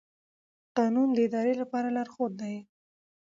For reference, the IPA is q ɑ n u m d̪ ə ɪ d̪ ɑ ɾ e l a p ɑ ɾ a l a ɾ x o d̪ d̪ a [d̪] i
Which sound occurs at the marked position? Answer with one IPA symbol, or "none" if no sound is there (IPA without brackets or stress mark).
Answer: none